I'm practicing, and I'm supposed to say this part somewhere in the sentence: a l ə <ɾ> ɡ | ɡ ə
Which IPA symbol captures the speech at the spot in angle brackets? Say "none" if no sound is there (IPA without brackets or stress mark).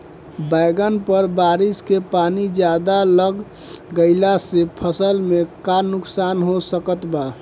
none